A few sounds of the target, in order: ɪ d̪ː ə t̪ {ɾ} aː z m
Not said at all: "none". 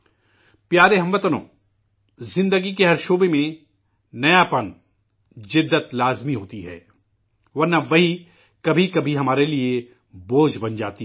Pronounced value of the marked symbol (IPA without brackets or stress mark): l